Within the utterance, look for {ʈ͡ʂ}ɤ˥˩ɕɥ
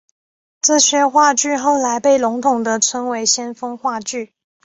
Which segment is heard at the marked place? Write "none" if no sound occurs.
ʈ͡ʂ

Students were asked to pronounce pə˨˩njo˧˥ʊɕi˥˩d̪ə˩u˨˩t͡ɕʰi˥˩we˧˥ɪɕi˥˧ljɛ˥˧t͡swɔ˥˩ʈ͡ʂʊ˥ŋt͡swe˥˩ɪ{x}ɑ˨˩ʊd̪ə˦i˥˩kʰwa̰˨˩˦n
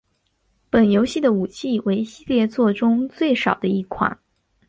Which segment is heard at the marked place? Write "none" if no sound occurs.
ʂ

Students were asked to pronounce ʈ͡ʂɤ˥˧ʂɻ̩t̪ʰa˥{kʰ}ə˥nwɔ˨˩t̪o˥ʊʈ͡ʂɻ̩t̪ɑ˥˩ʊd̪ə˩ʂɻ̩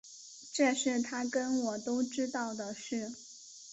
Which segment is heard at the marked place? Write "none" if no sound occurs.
k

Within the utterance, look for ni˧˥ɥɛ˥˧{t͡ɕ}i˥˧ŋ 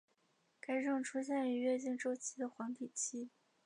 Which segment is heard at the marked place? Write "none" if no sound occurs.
t͡ɕ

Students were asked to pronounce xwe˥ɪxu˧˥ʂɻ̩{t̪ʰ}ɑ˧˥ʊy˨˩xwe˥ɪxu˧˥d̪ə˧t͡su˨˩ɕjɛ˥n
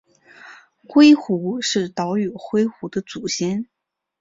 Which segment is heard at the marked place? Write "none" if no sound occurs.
t̪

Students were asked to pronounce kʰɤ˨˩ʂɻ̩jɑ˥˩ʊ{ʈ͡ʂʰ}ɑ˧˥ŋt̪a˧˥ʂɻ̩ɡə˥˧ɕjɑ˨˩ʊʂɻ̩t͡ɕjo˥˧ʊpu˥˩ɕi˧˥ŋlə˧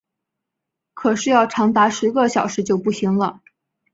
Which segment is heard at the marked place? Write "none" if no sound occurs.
ʈ͡ʂʰ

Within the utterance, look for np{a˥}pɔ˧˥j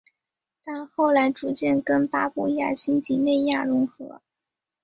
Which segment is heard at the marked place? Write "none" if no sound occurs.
a˥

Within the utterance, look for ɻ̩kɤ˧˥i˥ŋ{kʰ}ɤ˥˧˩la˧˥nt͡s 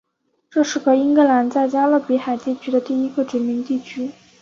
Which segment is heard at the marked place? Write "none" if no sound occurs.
k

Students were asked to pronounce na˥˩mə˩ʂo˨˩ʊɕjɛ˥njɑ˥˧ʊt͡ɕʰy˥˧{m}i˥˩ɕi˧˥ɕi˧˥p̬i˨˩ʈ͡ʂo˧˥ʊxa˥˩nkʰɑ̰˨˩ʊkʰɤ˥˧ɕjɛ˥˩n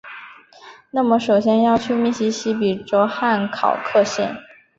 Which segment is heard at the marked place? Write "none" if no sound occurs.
m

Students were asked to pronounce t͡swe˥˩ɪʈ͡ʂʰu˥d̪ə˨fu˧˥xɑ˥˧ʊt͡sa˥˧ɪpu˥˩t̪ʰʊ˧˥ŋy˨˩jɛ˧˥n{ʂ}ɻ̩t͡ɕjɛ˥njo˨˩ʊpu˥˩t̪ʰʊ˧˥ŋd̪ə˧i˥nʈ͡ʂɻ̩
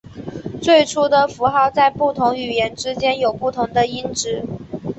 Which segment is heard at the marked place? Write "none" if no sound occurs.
ʈ͡ʂ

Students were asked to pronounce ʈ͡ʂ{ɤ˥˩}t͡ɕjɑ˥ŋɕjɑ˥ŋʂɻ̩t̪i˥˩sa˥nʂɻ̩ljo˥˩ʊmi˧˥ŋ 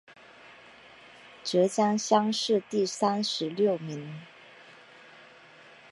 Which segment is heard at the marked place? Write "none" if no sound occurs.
ɤ˧˥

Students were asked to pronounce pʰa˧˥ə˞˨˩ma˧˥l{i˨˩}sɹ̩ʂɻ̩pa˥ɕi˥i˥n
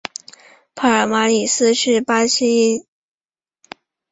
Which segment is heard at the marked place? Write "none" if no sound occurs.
i˨˩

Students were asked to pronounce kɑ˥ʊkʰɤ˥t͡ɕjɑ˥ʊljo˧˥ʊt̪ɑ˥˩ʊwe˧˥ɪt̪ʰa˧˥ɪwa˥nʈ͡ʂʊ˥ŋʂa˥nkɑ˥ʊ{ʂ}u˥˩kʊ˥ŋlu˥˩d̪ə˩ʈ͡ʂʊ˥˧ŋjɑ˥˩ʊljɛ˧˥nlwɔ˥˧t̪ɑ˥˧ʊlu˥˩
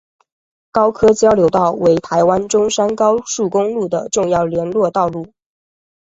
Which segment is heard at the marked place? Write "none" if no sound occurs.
ʂ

